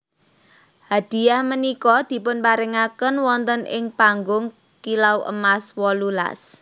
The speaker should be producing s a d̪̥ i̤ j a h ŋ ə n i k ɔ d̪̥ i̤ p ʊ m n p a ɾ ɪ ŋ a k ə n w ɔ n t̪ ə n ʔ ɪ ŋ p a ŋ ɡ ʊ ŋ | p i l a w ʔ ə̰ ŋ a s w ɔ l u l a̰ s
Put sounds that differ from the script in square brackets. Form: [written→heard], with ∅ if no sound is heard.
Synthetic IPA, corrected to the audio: [s→h] a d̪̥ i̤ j a h [ŋ→m] ə n i k ɔ d̪̥ i̤ p ʊ [m→∅] n p a ɾ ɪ ŋ a k ə n w ɔ n t̪ ə n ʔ ɪ ŋ p a ŋ ɡ ʊ ŋ | [p→k] i l a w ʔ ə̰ [ŋ→m] a s w ɔ l u l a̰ s